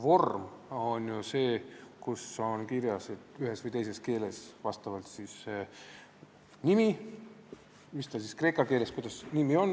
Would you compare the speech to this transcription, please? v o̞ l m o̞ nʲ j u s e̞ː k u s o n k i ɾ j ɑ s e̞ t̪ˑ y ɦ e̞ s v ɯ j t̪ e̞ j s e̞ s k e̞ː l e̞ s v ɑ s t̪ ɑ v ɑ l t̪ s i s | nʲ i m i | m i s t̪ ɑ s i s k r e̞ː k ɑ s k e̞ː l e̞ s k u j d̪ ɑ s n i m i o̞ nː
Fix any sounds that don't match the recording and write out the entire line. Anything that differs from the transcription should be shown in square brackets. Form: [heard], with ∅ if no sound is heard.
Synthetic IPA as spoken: v o̞ [r] m o̞ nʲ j u s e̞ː k u s o n k i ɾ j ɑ s e̞ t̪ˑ y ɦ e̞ s v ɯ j t̪ e̞ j s e̞ s k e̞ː l e̞ s v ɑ s t̪ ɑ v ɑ l t̪ s i s | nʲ i m i | m i s t̪ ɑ s i s k r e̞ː k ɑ [∅] k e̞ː l e̞ s k u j d̪ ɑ s n i m i o̞ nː